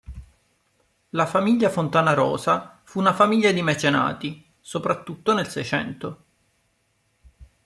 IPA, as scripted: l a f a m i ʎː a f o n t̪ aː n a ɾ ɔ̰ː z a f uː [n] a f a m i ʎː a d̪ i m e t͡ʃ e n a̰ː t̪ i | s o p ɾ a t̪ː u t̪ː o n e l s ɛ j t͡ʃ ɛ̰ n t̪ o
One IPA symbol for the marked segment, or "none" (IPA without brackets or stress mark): n